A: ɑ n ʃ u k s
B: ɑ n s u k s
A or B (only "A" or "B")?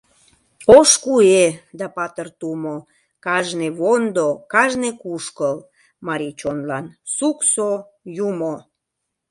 B